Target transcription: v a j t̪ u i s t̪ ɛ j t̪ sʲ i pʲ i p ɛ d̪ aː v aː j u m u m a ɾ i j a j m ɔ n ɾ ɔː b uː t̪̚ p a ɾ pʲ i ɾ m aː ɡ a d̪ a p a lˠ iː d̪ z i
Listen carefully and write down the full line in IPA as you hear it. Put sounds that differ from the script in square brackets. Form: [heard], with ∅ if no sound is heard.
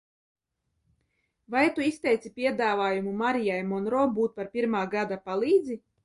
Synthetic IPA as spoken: v a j t̪ u i s t̪ ɛ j t̪ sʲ i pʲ i [∅] ɛ d̪ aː v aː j u m u m a ɾ i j a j m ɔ n ɾ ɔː b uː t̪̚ p a ɾ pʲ i ɾ m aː ɡ a d̪ a p a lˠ iː d̪ z i